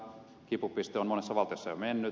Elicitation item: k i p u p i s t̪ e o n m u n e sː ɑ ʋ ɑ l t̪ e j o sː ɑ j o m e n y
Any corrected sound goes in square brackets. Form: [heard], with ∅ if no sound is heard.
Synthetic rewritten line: k i p u p i s t̪ e o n m [o] n e sː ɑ ʋ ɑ l t̪ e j o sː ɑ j o m e [nː] y